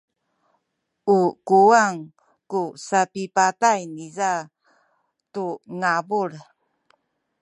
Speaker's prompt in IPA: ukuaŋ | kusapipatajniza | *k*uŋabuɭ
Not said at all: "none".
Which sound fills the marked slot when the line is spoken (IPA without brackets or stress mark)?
t